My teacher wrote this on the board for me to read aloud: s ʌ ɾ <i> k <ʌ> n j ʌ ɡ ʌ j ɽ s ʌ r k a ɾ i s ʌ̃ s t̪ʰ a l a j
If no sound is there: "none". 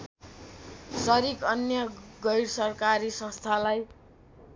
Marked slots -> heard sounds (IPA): i, ʌ

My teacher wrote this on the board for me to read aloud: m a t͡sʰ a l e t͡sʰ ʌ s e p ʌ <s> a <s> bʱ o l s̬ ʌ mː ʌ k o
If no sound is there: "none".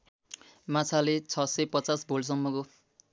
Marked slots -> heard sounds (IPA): t͡s, s

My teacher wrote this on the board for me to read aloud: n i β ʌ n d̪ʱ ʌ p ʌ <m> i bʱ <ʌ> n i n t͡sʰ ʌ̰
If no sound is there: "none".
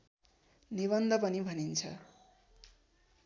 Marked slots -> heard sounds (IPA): n, ʌ

